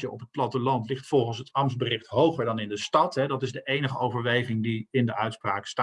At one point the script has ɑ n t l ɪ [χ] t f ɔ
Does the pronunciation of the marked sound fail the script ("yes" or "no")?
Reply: no